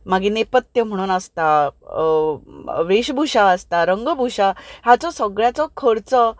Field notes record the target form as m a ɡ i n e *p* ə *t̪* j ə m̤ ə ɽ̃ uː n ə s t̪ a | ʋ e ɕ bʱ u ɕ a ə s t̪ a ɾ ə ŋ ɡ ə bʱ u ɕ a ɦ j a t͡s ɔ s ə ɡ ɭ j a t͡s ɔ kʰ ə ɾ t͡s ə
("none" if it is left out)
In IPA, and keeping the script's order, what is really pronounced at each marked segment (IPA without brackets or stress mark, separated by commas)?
p, t̪